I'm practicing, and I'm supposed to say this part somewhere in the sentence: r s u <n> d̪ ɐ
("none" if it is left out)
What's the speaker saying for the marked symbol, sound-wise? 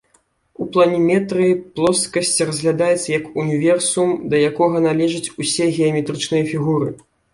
m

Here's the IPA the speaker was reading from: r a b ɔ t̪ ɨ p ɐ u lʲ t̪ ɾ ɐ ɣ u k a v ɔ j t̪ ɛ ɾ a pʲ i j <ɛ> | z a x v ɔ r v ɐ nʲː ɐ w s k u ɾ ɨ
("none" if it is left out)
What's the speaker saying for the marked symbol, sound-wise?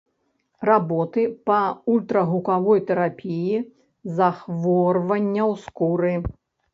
i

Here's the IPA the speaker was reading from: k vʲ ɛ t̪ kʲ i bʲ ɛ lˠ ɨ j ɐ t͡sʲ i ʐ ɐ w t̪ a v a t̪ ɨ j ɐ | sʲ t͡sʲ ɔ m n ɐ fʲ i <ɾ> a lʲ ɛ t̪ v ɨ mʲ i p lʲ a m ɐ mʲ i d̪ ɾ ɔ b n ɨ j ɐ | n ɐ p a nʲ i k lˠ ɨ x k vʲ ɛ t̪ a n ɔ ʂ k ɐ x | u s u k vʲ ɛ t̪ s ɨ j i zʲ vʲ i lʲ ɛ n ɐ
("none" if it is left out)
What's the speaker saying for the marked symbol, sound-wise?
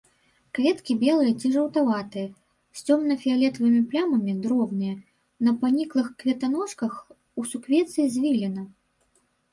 none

